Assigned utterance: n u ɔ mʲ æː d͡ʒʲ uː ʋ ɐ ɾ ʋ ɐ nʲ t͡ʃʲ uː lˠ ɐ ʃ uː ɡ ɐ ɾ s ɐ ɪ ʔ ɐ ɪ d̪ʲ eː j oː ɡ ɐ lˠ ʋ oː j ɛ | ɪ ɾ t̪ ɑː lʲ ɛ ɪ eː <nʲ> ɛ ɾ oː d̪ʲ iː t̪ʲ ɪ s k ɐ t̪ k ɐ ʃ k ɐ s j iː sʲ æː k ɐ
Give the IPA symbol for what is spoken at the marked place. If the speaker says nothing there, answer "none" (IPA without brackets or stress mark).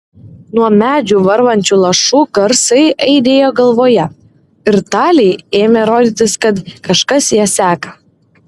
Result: mʲ